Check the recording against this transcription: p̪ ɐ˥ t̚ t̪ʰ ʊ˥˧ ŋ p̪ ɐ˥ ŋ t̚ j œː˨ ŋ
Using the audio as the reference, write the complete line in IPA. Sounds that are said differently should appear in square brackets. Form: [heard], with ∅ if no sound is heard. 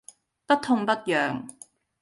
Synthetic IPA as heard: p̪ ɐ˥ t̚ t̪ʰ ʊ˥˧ ŋ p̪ ɐ˥ [∅] t̚ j œː˨ ŋ